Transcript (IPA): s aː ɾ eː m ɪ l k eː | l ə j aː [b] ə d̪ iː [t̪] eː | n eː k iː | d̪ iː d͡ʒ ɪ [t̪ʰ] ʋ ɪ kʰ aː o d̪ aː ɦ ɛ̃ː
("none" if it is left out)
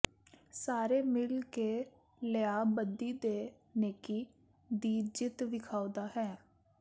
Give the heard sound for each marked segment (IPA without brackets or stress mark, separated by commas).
b, d̪, t̪